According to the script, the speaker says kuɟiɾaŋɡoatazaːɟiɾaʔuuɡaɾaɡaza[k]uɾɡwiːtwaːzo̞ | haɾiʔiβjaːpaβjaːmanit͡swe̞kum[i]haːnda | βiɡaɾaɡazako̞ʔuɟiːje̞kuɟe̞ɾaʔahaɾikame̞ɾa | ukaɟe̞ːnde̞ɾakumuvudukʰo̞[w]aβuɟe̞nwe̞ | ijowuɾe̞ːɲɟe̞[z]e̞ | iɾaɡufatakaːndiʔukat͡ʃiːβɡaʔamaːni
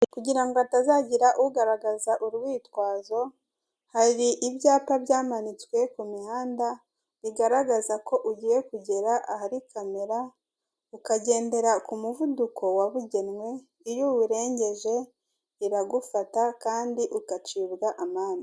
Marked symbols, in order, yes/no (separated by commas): no, yes, yes, no